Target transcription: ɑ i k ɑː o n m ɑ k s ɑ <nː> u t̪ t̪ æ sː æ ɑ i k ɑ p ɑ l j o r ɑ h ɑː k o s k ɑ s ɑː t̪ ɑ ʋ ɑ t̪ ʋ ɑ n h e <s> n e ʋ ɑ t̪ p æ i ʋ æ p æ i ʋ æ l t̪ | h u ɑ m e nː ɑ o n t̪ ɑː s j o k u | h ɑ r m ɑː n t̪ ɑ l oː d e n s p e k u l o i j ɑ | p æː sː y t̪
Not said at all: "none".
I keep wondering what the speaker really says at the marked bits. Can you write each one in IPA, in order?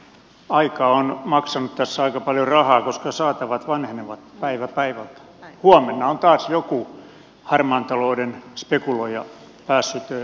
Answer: n, none

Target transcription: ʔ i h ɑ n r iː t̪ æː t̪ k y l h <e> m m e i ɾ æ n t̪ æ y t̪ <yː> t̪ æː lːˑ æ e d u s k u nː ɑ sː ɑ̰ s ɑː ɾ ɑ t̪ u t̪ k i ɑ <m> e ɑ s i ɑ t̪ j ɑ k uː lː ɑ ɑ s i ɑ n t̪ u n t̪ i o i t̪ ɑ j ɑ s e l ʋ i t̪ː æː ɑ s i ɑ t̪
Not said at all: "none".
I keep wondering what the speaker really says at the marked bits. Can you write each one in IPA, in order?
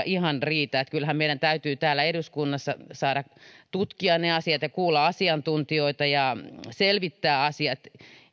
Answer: æ, yː, n

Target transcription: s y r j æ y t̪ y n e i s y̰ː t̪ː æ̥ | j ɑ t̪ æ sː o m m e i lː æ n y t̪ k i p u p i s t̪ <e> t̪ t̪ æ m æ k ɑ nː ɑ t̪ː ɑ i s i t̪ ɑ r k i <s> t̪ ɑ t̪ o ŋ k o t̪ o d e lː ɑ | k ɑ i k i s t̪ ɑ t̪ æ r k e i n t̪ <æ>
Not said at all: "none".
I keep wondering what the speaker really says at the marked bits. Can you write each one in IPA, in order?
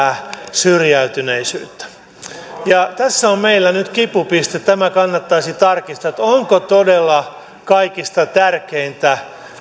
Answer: e, s, æ

